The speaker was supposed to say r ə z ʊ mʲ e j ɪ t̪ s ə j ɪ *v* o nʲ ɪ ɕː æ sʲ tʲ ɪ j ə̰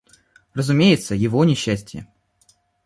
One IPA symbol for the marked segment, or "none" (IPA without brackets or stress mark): v